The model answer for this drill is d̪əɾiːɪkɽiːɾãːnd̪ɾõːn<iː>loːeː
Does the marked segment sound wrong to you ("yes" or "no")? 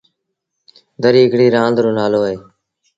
yes